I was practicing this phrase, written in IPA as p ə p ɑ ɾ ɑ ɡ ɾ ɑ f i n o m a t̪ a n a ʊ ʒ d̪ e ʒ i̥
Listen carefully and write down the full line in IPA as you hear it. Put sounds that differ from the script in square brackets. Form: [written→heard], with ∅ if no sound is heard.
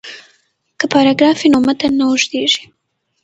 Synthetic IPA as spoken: [p→k] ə p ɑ ɾ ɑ ɡ ɾ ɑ f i n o m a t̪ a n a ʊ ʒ d̪ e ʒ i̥